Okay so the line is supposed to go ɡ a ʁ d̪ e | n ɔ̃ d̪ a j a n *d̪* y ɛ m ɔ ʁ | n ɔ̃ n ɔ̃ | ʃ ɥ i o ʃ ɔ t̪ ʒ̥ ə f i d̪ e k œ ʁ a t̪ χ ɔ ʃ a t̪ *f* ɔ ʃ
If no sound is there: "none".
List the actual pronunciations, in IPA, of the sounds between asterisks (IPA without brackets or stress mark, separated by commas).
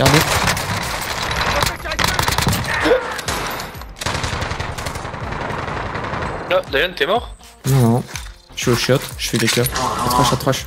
t̪, χ